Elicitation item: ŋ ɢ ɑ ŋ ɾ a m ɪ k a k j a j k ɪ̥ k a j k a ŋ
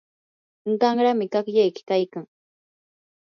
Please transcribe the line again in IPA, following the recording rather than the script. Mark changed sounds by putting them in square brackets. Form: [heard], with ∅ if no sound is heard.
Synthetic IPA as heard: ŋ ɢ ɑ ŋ ɾ a m ɪ k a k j a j k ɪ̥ k a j k a ŋ